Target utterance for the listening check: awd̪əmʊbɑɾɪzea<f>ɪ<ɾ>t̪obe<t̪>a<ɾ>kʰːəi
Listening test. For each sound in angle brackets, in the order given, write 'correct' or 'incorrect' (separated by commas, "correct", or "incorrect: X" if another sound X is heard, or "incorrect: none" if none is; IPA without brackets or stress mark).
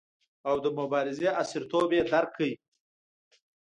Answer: incorrect: s, correct, incorrect: d̪, correct